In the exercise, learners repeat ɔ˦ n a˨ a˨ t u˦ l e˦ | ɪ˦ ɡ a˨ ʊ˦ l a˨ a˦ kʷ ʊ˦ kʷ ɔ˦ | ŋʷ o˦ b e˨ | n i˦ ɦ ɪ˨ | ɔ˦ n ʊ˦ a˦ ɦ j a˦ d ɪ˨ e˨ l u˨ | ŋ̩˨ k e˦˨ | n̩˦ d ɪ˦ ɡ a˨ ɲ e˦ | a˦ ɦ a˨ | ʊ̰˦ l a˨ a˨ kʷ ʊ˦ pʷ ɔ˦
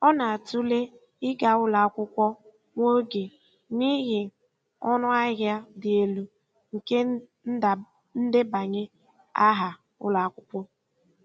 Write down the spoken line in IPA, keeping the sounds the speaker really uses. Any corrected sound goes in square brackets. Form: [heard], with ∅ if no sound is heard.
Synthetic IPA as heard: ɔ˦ n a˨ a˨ t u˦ l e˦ | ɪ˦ ɡ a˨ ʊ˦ l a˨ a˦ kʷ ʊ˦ kʷ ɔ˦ | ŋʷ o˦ [ɡ] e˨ | n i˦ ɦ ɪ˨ | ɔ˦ n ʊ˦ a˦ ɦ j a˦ d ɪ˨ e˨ l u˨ | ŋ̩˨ k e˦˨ | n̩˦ d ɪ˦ [b] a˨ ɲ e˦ | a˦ ɦ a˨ | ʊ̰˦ l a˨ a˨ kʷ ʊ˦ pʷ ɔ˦